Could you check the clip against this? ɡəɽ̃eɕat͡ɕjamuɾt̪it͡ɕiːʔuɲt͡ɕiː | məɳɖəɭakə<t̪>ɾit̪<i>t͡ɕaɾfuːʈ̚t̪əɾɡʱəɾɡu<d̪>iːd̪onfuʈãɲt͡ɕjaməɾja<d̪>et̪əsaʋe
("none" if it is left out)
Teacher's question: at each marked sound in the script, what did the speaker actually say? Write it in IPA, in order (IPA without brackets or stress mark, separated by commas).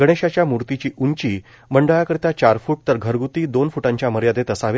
none, a, t̪, d̪